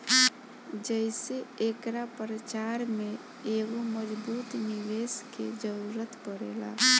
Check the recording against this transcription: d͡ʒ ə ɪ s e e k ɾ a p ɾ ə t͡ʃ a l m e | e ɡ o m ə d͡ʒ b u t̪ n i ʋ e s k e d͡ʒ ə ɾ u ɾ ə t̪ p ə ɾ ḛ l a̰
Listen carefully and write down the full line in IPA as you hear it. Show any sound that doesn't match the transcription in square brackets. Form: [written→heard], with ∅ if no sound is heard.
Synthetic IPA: d͡ʒ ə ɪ s e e k ɾ a p ɾ ə t͡ʃ a [l→ɾ] m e | e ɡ o m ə d͡ʒ b u t̪ n i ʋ e s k e d͡ʒ ə ɾ u ɾ ə t̪ p ə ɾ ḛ l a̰